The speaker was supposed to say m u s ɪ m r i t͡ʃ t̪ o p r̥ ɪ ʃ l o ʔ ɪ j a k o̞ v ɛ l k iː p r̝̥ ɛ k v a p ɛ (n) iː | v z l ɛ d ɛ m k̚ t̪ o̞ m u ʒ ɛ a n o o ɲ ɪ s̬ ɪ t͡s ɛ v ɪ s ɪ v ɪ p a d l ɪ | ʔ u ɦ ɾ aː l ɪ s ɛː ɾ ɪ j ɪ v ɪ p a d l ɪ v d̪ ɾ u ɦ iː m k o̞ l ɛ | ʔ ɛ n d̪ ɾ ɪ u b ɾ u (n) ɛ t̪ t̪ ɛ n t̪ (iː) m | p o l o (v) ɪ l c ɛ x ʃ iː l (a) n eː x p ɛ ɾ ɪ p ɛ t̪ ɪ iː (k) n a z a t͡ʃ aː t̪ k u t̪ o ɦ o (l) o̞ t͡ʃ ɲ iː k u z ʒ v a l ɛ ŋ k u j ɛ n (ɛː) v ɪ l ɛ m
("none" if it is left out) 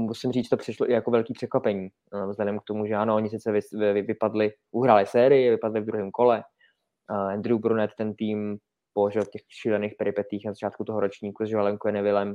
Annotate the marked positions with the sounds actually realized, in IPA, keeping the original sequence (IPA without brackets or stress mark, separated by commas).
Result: ɲ, n, iː, ʒ, ɛ, x, ɾ, ɛ